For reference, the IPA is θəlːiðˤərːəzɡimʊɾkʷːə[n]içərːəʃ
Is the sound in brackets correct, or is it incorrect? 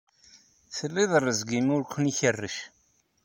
correct